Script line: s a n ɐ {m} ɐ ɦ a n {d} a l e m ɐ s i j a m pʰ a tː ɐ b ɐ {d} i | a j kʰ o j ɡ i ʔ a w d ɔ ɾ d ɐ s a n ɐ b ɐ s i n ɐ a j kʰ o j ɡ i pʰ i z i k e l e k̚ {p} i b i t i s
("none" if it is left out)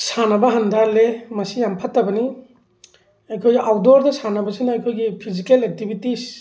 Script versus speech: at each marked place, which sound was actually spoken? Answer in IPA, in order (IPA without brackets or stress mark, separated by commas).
b, d, n, t